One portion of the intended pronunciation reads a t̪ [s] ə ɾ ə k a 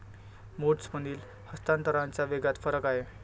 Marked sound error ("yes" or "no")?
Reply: yes